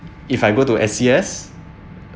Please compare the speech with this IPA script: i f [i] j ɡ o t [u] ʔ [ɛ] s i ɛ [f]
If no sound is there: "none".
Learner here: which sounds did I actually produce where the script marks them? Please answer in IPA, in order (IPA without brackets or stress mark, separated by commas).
a, u, ɛ, s